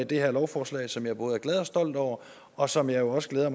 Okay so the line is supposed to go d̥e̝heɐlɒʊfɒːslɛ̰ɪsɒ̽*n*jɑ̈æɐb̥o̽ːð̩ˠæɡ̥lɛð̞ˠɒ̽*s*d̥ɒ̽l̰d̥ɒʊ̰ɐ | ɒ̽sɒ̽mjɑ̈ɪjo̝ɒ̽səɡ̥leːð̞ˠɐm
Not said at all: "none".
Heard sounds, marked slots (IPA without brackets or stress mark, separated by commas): m, s